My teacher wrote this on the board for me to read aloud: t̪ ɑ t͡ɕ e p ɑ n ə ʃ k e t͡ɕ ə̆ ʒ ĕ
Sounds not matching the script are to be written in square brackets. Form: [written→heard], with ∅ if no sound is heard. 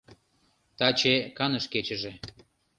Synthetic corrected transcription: t̪ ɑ t͡ɕ e [p→k] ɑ n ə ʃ k e t͡ɕ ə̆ ʒ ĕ